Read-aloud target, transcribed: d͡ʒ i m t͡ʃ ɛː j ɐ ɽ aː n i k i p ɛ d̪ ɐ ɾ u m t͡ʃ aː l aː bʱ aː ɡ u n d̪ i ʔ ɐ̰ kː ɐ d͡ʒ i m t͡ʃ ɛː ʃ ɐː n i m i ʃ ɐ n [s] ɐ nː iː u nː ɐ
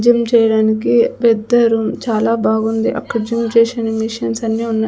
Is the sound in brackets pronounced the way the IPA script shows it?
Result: yes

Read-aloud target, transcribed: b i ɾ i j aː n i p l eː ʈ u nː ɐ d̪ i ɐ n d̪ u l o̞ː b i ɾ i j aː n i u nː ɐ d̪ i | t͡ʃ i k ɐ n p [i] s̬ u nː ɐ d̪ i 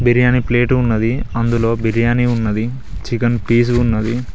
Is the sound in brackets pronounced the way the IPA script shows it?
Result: no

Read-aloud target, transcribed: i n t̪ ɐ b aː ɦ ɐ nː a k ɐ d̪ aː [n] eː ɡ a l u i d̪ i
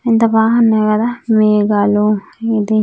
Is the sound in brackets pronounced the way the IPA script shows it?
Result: no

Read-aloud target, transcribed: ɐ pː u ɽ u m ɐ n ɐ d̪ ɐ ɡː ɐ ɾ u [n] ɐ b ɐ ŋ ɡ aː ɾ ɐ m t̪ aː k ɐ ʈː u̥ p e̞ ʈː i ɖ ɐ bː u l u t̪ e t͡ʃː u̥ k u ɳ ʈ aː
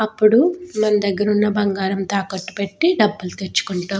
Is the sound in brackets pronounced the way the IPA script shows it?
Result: no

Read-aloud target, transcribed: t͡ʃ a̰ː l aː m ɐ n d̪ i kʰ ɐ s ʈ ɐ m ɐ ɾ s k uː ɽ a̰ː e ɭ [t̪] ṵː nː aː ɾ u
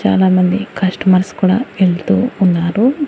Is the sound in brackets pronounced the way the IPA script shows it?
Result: yes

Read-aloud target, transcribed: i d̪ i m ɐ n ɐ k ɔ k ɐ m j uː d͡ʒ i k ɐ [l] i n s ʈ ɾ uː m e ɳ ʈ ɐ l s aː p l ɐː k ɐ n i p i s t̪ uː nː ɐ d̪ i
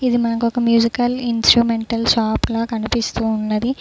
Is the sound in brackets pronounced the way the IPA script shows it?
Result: yes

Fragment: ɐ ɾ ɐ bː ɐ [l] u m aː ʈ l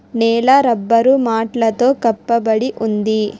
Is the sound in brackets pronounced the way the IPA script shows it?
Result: no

